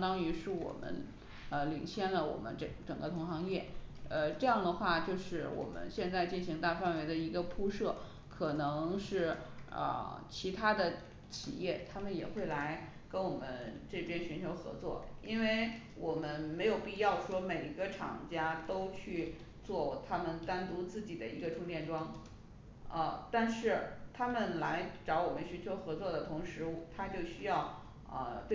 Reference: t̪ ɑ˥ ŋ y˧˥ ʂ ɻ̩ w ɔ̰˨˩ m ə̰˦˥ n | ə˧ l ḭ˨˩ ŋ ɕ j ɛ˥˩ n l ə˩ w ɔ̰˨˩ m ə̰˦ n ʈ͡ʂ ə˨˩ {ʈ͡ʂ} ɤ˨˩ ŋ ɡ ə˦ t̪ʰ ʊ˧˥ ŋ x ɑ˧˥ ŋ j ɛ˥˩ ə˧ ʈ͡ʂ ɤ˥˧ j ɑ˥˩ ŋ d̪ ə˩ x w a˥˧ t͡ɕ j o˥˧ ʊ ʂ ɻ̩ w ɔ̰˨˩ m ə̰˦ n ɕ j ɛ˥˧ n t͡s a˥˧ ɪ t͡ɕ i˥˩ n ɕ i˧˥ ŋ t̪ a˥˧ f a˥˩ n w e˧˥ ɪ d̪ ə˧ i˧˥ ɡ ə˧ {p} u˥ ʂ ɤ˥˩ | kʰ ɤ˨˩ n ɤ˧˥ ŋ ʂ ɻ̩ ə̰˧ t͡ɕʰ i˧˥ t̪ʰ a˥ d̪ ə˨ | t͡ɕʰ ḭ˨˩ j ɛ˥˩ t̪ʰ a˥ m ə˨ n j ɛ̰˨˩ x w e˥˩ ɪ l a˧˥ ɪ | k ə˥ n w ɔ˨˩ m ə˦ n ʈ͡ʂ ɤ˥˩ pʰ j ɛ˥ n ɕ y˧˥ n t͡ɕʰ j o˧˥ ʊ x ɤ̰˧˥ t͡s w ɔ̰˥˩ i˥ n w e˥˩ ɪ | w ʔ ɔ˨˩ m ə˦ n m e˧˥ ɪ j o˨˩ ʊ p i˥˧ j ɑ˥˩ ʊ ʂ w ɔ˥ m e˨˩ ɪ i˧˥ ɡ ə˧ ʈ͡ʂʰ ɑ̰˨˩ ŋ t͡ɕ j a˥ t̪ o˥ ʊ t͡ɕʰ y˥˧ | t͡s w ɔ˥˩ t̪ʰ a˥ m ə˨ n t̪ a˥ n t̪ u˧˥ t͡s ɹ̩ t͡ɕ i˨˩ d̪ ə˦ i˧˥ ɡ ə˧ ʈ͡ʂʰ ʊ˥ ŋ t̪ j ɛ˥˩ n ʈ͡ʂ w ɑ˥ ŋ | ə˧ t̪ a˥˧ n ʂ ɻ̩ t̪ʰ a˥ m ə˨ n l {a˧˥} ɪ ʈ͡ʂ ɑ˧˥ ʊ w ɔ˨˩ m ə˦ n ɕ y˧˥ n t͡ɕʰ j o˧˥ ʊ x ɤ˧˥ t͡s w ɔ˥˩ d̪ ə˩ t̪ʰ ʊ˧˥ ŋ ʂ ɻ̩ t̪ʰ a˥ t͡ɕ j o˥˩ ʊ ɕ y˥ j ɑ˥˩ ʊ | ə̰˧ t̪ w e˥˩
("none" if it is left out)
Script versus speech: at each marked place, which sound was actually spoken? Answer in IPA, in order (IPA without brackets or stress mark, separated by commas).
ʈ͡ʂ, pʰ, a˧˥